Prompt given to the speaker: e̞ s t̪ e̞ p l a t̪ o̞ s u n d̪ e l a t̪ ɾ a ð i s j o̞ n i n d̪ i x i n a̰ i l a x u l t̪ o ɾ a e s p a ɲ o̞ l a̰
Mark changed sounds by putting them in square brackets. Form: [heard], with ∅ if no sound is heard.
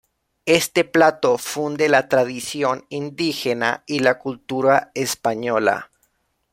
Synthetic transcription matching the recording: e̞ s t̪ e̞ p l a t̪ o̞ [f] u n d̪ e l a t̪ ɾ a ð i s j o̞ n i n d̪ i x [e] n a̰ i l a [k] u l t̪ [u] ɾ a e s p a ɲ o̞ l a̰